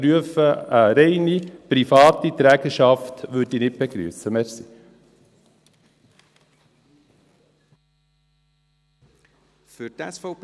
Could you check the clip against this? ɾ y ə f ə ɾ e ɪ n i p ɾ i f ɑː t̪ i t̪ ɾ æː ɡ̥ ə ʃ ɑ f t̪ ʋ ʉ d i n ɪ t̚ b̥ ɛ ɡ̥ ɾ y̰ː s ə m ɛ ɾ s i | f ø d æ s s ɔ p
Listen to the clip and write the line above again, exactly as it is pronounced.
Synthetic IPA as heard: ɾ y ə f ə ɾ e ɪ n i p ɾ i f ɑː t̪ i t̪ ɾ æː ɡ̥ ə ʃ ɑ f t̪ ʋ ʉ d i n ɪ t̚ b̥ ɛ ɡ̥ ɾ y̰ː s ə m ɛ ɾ s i | f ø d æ s f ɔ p